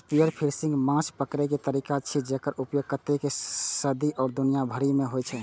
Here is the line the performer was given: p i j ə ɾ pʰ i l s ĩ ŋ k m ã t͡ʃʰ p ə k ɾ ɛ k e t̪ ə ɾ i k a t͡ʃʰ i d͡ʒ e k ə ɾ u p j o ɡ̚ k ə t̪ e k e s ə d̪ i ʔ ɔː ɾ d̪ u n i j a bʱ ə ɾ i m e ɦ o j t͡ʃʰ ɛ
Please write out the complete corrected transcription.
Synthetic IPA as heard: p i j ə ɾ pʰ i ɾ s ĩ ŋ ɡ m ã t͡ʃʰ p ə k ɾ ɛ k e t̪ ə ɾ i k a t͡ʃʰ i d͡ʒ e k ə ɾ u p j o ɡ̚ k ə t̪ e k e s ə d̪ i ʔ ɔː ɾ d̪ u n i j a bʱ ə ɾ i m e ɦ o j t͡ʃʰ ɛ